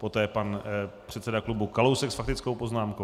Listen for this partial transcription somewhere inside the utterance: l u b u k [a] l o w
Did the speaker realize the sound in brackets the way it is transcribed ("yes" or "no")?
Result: yes